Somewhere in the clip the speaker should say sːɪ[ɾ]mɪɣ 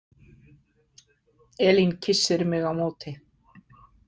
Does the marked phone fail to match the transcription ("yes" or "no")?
no